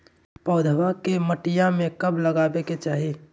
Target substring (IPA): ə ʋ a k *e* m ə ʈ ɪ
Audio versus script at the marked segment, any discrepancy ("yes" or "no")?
no